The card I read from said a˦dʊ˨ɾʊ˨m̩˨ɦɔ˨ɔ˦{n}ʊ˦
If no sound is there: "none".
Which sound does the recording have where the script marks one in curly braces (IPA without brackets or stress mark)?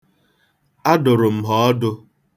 d